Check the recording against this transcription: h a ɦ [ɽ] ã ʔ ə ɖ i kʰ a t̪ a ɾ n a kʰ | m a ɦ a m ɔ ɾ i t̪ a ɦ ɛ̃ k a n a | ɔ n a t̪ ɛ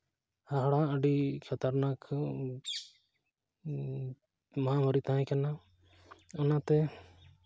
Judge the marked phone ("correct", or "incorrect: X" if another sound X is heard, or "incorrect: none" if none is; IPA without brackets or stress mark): correct